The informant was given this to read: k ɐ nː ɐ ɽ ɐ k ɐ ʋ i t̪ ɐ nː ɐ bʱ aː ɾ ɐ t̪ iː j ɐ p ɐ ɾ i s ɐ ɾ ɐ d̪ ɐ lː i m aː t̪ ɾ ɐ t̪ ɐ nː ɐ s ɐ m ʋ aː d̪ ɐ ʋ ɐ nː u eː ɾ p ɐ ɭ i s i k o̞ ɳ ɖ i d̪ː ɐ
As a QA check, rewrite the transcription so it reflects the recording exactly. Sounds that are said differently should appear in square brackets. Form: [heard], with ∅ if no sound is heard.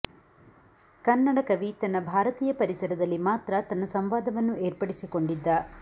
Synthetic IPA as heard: k ɐ nː ɐ ɽ ɐ k ɐ ʋ i t̪ ɐ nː ɐ bʱ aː ɾ ɐ t̪ iː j ɐ p ɐ ɾ i s ɐ ɾ ɐ d̪ ɐ lː i m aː t̪ ɾ ɐ t̪ ɐ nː ɐ s ɐ m ʋ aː d̪ ɐ ʋ ɐ nː u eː ɾ p ɐ [ɽ] i s i k o̞ ɳ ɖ i d̪ː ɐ

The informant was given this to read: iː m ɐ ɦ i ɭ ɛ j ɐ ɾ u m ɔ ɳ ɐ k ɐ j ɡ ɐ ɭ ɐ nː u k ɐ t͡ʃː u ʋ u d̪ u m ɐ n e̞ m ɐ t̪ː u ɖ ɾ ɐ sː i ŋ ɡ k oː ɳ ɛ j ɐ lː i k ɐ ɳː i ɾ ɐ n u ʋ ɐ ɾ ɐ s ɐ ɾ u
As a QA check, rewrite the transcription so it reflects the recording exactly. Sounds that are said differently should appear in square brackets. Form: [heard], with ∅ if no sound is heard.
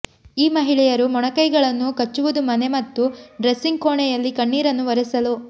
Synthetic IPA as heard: iː m ɐ ɦ i ɭ ɛ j ɐ ɾ u m ɔ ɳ ɐ k ɐ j ɡ ɐ ɭ ɐ nː u k ɐ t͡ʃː u ʋ u d̪ u m ɐ n e̞ m ɐ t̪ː u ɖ ɾ ɐ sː i ŋ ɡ k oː ɳ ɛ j ɐ lː i k ɐ ɳː [iː] ɾ ɐ [nː] u ʋ ɐ ɾ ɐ s ɐ [l] u

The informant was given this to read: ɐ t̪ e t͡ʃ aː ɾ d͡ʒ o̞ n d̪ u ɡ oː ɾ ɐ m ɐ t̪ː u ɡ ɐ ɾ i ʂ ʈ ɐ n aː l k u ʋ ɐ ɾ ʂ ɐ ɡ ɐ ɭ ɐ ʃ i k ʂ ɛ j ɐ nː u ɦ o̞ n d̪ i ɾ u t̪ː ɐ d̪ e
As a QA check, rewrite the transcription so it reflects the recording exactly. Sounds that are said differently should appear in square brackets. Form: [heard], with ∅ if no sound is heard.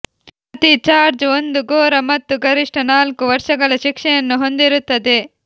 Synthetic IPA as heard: ɐ t̪ [i] t͡ʃ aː ɾ d͡ʒ o̞ n d̪ u ɡ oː ɾ ɐ m ɐ t̪ː u ɡ ɐ ɾ i ʂ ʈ ɐ n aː l k u ʋ ɐ ɾ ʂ ɐ ɡ ɐ ɭ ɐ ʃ i k ʂ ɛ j ɐ nː u ɦ o̞ n d̪ i ɾ u t̪ː ɐ d̪ e

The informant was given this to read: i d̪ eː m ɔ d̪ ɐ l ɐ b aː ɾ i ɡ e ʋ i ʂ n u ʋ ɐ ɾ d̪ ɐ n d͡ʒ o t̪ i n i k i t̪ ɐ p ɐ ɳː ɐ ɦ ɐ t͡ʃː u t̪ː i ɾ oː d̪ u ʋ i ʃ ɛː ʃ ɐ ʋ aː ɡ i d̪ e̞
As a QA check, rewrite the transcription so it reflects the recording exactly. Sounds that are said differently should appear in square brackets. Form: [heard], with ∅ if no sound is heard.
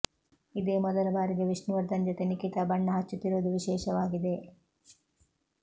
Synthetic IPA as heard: i d̪ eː m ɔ d̪ ɐ l ɐ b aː ɾ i ɡ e ʋ i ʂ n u ʋ ɐ ɾ d̪ ɐ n d͡ʒ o t̪ [e] n i k i t̪ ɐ [b] ɐ ɳː ɐ ɦ ɐ t͡ʃː u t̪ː i ɾ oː d̪ u ʋ i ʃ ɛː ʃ ɐ ʋ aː ɡ i d̪ e̞

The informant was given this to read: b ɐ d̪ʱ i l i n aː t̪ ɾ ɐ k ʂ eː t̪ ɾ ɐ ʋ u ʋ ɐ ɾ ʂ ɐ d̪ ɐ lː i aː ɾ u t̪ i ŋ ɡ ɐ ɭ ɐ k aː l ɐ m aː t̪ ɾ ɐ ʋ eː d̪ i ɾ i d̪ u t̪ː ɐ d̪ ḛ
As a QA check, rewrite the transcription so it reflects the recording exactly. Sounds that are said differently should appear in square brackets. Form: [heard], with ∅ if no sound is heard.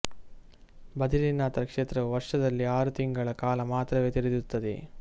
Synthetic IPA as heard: b ɐ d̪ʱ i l i n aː t̪ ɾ ɐ k ʂ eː t̪ ɾ ɐ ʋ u ʋ ɐ ɾ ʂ ɐ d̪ ɐ lː i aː ɾ u t̪ i ŋ ɡ ɐ ɭ ɐ k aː l ɐ m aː t̪ ɾ ɐ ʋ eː [t̪] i ɾ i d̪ u t̪ː ɐ d̪ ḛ

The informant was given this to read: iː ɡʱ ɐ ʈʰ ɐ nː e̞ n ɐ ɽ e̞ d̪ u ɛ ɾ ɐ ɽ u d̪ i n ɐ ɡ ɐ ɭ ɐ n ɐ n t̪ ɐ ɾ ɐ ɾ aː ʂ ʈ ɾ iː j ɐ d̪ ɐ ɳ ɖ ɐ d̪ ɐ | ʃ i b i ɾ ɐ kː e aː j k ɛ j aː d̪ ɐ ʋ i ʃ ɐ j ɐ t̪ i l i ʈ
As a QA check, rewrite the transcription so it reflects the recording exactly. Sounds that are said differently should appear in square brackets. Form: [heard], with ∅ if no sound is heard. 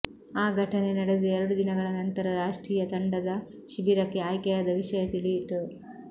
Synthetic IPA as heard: [aː] ɡʱ ɐ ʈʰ ɐ [n] e̞ n ɐ ɽ e̞ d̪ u ɛ ɾ ɐ ɽ u d̪ i n ɐ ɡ ɐ ɭ ɐ n ɐ n t̪ ɐ ɾ ɐ ɾ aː ʂ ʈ ɾ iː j ɐ [t̪] ɐ ɳ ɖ ɐ d̪ ɐ | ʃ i b i ɾ ɐ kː e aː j k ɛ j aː d̪ ɐ ʋ i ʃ ɐ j ɐ t̪ i l i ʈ

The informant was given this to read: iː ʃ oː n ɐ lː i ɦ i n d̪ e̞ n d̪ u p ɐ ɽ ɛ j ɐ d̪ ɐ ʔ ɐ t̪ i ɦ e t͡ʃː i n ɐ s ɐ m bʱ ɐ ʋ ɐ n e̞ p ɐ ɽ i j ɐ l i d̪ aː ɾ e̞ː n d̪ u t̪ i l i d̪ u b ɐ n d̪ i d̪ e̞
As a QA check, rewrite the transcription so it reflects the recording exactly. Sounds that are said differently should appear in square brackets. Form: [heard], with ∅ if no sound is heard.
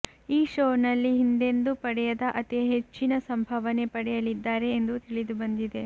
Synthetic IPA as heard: iː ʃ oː n ɐ lː i ɦ i n d̪ e̞ n d̪ u p ɐ ɽ ɛ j ɐ d̪ ɐ ʔ ɐ t̪ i ɦ e t͡ʃː i n ɐ s ɐ m bʱ ɐ ʋ ɐ n e̞ p ɐ ɽ [ɛ] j ɐ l i [d̪ː] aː ɾ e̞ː n d̪ u t̪ i [ɭ] i d̪ u b ɐ n d̪ i d̪ e̞

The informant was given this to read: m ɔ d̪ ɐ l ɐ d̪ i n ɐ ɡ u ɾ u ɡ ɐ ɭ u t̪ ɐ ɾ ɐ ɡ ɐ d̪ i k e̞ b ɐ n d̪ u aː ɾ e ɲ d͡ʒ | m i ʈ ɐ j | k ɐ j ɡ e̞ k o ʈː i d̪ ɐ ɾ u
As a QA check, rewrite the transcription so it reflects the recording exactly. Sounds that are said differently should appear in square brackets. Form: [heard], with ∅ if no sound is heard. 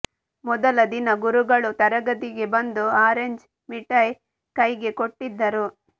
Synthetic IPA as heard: m ɔ d̪ ɐ l ɐ d̪ i n ɐ ɡ u ɾ u ɡ ɐ ɭ u t̪ ɐ ɾ ɐ ɡ ɐ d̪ i [ɡ] e̞ b ɐ n d̪ u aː ɾ e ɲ d͡ʒ | m i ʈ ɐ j | k ɐ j ɡ e̞ k o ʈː i [d̪ː] ɐ ɾ u

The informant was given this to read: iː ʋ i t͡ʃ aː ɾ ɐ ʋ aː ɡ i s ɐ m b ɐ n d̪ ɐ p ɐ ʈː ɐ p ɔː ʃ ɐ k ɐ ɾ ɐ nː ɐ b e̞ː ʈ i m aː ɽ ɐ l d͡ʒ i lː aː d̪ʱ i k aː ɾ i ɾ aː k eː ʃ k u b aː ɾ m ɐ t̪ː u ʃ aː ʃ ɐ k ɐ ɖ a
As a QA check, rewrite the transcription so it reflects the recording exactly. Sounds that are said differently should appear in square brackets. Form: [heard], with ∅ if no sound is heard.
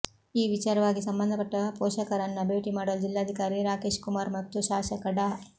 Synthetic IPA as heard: iː ʋ i t͡ʃ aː ɾ ɐ ʋ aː ɡ i s ɐ m b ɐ n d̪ ɐ p ɐ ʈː ɐ p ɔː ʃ ɐ k ɐ ɾ ɐ nː ɐ b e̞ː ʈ i m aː ɽ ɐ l d͡ʒ i lː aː d̪ʱ i k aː ɾ i ɾ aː k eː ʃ k u [m] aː ɾ m ɐ t̪ː u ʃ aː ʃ ɐ k ɐ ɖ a

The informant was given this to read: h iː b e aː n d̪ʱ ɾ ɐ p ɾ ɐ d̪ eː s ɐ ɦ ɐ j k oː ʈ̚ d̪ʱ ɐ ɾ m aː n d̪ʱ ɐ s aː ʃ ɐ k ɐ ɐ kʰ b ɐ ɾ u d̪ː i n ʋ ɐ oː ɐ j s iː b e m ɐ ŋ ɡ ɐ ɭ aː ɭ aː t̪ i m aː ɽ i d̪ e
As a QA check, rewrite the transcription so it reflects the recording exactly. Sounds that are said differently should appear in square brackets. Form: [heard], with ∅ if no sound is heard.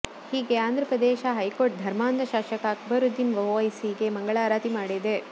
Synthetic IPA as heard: h iː [ɡ] e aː n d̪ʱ ɾ ɐ p ɾ ɐ d̪ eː [ʃ] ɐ ɦ ɐ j k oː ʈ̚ d̪ʱ ɐ ɾ m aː n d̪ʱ ɐ [ʃ] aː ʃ ɐ k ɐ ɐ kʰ b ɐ ɾ u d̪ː i n ʋ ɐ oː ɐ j s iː [ɡ] e m ɐ ŋ ɡ ɐ ɭ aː [ɾ] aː t̪ i m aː ɽ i d̪ e

